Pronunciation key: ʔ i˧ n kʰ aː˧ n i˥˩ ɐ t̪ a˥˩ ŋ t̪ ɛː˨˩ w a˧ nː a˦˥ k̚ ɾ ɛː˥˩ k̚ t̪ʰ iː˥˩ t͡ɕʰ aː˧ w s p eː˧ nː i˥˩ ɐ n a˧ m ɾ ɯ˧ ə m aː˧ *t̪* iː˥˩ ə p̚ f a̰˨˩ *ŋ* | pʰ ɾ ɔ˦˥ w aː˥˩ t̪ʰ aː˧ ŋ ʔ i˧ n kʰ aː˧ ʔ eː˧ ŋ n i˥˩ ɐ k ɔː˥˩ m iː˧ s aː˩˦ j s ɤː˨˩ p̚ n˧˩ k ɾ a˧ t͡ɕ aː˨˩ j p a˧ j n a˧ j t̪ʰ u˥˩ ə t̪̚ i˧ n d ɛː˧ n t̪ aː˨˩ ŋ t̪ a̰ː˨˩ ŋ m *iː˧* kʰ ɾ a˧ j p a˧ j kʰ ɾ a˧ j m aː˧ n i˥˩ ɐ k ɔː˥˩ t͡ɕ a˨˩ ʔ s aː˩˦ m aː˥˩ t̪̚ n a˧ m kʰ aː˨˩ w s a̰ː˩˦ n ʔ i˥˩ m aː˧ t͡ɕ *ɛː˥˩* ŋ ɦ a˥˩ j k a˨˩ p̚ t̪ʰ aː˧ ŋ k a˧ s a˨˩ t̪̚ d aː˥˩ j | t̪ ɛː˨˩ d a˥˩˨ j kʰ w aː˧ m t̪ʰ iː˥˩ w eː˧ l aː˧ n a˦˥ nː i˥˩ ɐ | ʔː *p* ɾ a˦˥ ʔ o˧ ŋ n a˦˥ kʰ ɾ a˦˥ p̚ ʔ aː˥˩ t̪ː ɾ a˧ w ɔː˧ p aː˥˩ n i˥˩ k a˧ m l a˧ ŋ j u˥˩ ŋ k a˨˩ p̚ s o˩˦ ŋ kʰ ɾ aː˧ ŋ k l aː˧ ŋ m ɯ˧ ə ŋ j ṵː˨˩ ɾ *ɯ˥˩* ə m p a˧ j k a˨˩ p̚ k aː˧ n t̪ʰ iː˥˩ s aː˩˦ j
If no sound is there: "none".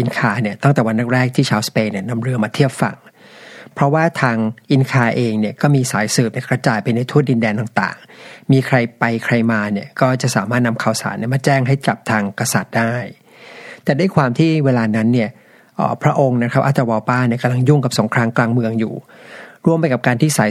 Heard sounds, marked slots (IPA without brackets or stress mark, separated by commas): t̪ʰ, ŋ, iː˧, ɛː˥˩, pʰ, u˥˩